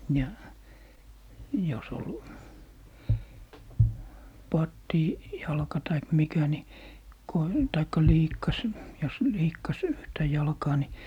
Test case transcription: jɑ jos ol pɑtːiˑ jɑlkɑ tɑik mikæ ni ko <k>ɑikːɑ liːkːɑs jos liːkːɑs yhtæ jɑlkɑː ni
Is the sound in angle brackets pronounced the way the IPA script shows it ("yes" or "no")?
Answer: no